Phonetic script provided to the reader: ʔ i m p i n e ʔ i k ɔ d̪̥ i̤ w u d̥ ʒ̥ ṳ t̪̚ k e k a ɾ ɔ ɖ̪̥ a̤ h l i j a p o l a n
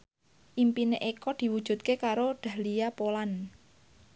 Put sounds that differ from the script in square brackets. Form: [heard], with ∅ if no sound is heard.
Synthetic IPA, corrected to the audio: ʔ i m p i n e ʔ [e] k ɔ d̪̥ i̤ w u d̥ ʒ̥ ṳ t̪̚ k e k a ɾ [o] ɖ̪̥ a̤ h l i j a p o l a n